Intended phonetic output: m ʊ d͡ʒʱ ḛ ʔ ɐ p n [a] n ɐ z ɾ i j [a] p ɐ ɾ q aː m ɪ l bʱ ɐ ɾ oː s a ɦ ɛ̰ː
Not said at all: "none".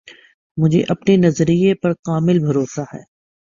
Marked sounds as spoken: e, e

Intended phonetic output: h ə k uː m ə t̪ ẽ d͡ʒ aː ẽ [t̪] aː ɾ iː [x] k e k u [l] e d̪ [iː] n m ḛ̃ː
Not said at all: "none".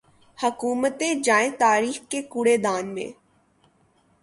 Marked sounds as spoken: t̪, x, ɽ, aː

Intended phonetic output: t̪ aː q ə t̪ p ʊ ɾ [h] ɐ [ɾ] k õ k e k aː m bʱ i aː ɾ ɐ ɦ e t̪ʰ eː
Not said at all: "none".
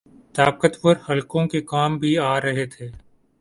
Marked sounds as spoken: h, l

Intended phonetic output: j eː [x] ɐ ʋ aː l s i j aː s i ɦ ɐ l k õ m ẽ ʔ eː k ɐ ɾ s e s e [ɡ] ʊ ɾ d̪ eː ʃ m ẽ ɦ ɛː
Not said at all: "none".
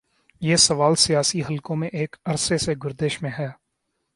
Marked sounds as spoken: s, ɡ

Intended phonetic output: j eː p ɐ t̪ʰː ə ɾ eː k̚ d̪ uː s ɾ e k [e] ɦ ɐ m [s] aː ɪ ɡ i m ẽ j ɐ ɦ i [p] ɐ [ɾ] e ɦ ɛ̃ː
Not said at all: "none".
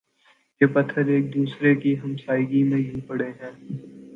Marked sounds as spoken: i, s, p, ɽ

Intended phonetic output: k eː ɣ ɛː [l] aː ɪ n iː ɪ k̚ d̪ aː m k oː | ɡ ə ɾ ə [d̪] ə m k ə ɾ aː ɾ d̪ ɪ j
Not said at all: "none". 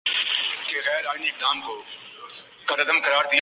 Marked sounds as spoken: ɾ, d̪

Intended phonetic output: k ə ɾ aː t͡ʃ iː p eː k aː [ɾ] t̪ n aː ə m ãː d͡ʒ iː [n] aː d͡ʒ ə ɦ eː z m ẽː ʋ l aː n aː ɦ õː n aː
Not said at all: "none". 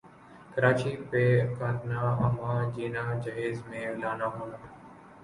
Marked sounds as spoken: none, n

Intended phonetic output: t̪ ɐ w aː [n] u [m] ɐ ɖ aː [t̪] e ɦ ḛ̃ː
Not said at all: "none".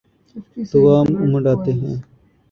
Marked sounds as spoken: m, m, t̪

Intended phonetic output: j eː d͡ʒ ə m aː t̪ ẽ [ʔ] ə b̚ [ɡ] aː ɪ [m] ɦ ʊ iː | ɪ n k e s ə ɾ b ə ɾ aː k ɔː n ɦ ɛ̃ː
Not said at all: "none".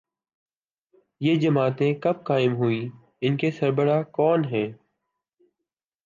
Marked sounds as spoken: k, k, m

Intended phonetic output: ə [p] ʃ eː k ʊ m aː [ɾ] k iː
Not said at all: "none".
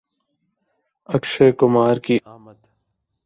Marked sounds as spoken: k, ɾ

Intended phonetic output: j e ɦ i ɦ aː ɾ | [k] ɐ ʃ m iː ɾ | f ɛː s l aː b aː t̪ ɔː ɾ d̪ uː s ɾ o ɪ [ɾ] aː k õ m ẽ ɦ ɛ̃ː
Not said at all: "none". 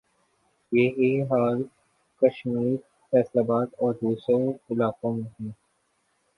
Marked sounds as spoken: k, l

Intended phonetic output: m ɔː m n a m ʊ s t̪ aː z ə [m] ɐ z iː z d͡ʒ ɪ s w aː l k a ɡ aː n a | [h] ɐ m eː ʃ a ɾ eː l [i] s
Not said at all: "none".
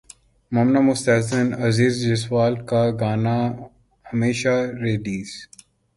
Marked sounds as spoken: n, h, iː

